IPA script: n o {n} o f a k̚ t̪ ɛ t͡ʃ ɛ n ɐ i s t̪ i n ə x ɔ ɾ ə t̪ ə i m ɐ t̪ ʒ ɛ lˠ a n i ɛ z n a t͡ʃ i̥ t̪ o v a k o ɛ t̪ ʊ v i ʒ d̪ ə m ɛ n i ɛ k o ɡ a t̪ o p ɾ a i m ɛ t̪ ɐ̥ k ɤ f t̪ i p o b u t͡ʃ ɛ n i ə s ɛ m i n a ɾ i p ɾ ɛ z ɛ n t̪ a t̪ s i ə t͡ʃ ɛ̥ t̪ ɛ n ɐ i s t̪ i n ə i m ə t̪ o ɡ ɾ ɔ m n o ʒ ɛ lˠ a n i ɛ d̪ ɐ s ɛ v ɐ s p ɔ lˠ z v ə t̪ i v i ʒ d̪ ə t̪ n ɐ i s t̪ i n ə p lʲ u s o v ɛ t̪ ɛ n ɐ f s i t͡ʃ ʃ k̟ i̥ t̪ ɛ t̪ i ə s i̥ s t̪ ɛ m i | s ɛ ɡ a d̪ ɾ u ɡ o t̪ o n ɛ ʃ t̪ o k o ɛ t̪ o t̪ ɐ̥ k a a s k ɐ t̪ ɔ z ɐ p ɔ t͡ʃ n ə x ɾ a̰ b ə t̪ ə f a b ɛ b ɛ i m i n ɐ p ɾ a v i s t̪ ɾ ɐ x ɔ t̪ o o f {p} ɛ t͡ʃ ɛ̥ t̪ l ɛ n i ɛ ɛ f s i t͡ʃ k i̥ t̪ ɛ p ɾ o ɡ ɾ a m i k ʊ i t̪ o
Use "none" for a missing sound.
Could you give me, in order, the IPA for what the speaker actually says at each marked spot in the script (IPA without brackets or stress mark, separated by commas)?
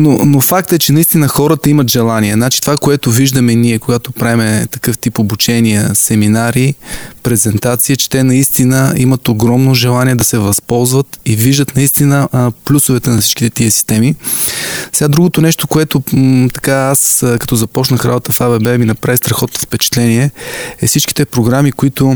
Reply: n, p